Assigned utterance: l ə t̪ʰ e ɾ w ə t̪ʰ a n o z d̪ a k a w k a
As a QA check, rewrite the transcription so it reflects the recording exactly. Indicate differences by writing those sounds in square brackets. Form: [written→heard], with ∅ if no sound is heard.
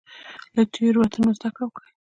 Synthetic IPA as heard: l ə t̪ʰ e ɾ w [ə→a] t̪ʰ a n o z d̪ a k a w k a